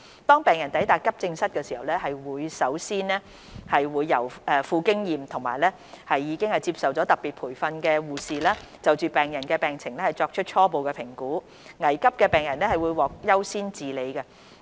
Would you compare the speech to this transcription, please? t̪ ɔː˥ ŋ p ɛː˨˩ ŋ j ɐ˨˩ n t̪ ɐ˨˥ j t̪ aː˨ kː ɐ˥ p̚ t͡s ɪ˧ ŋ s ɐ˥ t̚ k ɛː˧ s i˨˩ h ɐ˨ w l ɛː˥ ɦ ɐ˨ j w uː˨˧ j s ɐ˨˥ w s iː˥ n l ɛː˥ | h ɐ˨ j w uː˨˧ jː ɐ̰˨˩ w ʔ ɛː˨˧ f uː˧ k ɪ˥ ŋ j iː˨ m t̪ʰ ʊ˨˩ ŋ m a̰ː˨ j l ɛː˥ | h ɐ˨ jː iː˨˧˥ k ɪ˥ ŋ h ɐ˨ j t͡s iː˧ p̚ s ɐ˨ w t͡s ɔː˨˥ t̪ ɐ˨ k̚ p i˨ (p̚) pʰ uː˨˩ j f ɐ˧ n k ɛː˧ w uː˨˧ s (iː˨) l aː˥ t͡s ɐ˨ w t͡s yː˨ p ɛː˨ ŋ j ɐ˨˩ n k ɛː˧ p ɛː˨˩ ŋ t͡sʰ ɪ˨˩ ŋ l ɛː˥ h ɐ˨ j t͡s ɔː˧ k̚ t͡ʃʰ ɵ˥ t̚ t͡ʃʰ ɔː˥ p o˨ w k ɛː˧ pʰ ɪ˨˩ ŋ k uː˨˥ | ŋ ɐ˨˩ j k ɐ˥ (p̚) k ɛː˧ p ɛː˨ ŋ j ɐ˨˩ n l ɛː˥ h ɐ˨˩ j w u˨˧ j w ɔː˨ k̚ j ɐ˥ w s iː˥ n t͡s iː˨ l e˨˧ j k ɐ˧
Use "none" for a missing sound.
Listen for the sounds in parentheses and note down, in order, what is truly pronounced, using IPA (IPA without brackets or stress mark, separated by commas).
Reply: t̚, iː˨, p̚